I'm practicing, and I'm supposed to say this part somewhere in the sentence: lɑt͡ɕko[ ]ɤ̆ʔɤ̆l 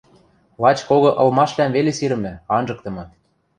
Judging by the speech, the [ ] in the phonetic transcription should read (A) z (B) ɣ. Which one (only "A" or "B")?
B